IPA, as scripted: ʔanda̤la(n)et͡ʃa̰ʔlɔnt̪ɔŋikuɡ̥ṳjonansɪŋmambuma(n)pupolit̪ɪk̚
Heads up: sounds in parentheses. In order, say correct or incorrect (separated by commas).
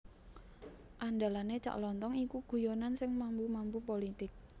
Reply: correct, incorrect